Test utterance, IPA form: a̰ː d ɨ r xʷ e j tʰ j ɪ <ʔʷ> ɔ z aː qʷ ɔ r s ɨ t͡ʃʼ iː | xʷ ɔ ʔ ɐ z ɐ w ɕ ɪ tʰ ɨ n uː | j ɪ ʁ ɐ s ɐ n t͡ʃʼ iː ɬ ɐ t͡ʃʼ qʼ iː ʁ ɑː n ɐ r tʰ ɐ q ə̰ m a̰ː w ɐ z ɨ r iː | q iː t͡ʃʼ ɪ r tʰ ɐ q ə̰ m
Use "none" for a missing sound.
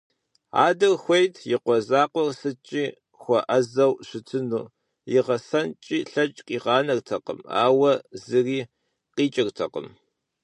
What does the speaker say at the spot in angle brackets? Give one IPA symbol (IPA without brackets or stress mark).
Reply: qʷ